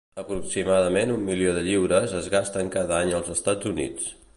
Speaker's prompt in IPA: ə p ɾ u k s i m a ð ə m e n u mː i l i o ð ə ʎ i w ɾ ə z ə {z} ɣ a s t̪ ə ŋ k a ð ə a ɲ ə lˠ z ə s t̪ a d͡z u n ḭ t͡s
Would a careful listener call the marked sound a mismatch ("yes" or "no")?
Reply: no